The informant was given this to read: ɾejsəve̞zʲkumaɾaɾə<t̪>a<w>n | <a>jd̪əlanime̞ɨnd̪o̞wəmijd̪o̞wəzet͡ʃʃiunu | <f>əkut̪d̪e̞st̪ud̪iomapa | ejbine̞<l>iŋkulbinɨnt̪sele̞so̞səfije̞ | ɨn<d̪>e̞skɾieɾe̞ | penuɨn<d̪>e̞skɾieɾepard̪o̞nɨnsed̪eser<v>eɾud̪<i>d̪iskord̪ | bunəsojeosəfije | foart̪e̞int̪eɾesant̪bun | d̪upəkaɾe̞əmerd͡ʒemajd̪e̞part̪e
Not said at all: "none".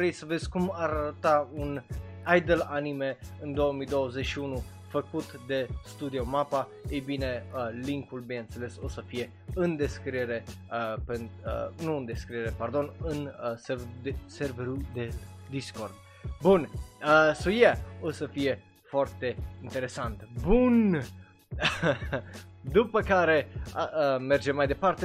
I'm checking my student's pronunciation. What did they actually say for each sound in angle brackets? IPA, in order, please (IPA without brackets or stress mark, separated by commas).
t̪, u, a, f, l, d̪, d̪, v, e